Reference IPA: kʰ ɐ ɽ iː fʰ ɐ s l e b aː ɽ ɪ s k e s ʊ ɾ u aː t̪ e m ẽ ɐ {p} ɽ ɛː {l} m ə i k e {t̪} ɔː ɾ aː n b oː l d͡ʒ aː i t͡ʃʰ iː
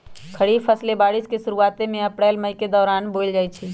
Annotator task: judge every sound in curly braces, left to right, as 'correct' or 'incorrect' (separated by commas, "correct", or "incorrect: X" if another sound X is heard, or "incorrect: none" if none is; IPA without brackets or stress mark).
correct, correct, incorrect: d̪